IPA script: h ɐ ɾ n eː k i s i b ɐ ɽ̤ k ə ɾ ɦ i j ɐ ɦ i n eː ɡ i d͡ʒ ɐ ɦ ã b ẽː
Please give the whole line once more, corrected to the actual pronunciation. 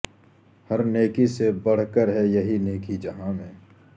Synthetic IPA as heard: h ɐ ɾ n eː k i s e b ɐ ɽ̤ k ə ɾ ɦ ɛ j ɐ ɦ i n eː k i d͡ʒ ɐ ɦ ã m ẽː